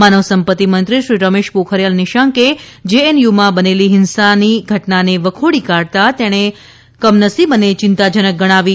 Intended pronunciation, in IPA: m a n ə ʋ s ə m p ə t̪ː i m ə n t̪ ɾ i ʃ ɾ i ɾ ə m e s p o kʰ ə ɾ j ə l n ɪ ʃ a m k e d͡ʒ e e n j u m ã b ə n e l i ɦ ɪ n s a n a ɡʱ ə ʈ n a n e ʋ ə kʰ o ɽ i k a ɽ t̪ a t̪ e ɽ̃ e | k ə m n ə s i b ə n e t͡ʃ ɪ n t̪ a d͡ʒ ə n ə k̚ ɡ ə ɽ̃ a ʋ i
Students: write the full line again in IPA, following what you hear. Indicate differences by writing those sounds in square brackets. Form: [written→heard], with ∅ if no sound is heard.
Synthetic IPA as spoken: m a n ə ʋ s ə m p ə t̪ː i m ə n t̪ ɾ i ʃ ɾ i ɾ ə m e [s→ʃ] p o kʰ ə ɾ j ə l n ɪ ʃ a [m→ŋ] k e d͡ʒ e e n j u m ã b ə n e l i ɦ ɪ n s a n [a→i] ɡʱ ə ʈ n a n e ʋ ə kʰ o ɽ i k a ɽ t̪ a t̪ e ɽ̃ e | k ə m n ə s i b ə n e t͡ʃ ɪ n t̪ a d͡ʒ ə n ə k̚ ɡ ə ɽ̃ a ʋ i